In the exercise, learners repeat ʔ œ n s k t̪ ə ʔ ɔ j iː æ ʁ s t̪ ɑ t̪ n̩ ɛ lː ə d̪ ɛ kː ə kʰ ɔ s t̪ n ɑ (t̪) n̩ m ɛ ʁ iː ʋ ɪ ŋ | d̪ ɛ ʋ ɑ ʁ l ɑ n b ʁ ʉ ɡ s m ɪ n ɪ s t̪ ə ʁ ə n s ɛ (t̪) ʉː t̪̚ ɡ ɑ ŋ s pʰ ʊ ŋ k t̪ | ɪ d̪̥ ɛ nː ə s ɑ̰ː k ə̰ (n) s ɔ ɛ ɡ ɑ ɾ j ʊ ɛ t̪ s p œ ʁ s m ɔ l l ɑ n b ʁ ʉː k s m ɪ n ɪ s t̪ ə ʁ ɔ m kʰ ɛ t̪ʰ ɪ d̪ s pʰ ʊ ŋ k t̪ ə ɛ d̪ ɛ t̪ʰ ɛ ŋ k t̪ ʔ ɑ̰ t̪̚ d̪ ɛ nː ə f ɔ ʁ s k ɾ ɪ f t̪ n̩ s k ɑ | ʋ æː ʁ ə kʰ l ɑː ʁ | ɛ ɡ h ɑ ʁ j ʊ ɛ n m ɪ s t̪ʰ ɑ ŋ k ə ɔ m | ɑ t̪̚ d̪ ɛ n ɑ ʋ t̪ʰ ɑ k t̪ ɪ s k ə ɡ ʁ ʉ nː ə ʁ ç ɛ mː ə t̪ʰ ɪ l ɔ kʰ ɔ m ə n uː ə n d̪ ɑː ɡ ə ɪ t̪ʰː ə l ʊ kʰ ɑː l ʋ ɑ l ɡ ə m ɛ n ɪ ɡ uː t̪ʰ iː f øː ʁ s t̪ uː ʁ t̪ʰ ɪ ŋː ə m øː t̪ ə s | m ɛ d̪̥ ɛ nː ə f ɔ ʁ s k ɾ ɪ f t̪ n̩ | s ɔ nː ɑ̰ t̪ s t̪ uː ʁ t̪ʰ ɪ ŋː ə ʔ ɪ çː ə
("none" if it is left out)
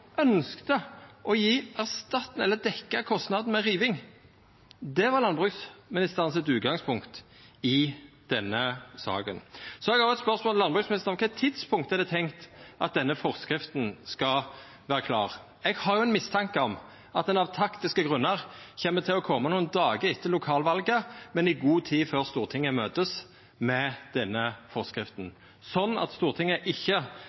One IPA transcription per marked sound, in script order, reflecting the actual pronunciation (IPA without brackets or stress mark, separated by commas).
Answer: d̪, t̪, n